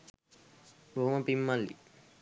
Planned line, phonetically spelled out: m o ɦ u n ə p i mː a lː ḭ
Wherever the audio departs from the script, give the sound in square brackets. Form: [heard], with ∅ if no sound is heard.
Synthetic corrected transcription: [b] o ɦ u [m] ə p i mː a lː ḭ